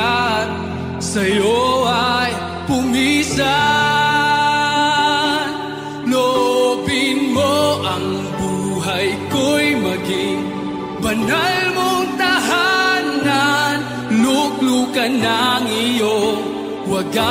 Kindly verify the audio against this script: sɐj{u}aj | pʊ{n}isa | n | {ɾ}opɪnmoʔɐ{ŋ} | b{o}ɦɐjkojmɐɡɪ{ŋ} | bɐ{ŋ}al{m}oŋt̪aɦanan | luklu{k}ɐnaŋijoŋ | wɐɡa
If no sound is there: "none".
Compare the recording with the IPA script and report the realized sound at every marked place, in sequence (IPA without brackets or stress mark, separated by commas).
o, m, l, ŋ, u, ŋ, n, m, k